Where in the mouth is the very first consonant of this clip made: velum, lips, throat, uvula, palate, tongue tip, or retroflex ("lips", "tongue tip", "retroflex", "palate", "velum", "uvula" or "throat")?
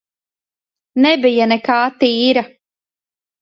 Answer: tongue tip